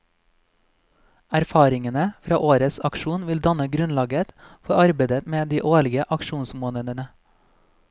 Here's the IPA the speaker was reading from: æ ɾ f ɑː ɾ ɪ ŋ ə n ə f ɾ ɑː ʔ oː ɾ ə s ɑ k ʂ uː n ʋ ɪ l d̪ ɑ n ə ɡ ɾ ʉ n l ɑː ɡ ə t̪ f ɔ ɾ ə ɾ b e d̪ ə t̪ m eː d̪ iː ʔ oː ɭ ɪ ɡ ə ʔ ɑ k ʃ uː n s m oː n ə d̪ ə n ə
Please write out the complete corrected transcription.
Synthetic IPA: æ ɾ f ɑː ɾ ɪ ŋ ə n ə f ɾ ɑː ʔ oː ɾ ə s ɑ k ʃ uː n ʋ ɪ l d̪ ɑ n ə ɡ ɾ ʉ n l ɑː ɡ ə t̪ f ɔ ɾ ɑ ɾ b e d̪ ə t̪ m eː d̪ iː ʔ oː ɭ ɪ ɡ ə ʔ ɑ k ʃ uː n s m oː n ə d̪ ə n ə